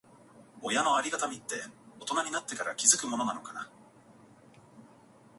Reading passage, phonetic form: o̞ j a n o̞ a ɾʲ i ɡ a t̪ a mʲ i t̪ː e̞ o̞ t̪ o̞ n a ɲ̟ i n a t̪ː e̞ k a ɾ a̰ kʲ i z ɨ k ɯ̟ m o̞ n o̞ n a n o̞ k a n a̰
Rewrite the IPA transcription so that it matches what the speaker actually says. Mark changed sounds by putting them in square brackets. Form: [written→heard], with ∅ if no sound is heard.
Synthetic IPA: o̞ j a n o̞ a ɾʲ i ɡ a t̪ a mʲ i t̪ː e̞ o̞ t̪ o̞ n a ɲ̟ i n a t̪ː e̞ k a ɾ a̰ kʲ i z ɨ k ɯ̟ m o̞ n o̞ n a n o̞ k a n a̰